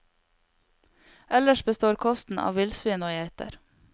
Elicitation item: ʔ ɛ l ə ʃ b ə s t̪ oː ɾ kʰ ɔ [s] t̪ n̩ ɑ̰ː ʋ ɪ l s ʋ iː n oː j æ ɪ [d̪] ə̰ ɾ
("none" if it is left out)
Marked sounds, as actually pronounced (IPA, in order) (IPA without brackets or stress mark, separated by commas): s, t̪